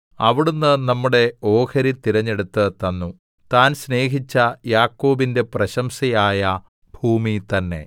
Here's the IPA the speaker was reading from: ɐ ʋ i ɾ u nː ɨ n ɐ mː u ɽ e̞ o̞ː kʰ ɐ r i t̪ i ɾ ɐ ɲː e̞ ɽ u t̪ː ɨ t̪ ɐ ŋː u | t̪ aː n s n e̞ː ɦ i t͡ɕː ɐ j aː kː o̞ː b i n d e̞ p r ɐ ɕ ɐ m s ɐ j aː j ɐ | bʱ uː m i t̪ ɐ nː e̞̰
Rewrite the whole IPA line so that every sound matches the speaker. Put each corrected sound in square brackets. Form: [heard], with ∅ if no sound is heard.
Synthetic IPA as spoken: ɐ ʋ i [ɽ] u nː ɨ n ɐ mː u ɽ e̞ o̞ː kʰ ɐ [ɾ] i t̪ i ɾ ɐ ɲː e̞ ɽ u t̪ː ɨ t̪ ɐ [nː] u | t̪ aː n s n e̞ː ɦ i t͡ɕː ɐ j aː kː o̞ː b i n d e̞ p r ɐ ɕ ɐ m s ɐ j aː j ɐ | bʱ uː m i t̪ ɐ nː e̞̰